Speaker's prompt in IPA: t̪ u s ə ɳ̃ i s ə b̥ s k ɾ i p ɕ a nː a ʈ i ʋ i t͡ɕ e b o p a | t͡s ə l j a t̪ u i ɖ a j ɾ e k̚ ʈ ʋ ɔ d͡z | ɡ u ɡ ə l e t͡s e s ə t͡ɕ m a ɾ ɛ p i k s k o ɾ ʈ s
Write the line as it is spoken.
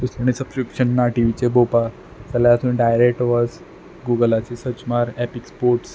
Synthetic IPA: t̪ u s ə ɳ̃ i s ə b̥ s k ɾ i p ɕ ə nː a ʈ i ʋ i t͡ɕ e b o p a | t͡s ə l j a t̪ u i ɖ a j ɾ e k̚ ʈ ʋ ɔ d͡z | ɡ u ɡ ə l a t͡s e s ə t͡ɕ m a ɾ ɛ p i k s p o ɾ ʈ s